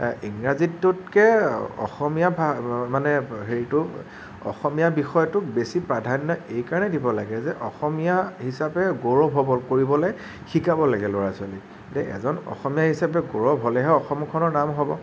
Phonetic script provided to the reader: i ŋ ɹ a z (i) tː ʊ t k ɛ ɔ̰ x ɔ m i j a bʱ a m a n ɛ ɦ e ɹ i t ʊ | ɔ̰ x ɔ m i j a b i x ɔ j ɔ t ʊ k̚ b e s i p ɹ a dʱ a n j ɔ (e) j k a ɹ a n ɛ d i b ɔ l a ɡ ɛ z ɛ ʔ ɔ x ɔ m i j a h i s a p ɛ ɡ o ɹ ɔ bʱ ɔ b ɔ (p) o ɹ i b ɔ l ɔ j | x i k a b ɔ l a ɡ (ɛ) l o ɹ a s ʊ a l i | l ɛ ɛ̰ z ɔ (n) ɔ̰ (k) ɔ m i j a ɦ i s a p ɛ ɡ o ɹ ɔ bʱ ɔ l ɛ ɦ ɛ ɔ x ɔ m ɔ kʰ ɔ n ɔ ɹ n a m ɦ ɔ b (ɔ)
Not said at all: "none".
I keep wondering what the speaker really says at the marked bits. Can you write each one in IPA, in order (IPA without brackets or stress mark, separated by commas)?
i, e, k, ɛ, n, x, ɔ